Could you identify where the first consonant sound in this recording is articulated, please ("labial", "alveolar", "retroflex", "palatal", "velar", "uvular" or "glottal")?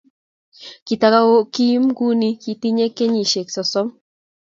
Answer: velar